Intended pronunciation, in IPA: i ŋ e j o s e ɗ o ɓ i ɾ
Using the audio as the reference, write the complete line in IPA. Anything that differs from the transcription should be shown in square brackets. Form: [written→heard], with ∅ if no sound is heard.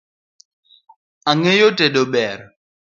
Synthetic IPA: [i→a] ŋ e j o [s→t] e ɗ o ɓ [i→ɛ] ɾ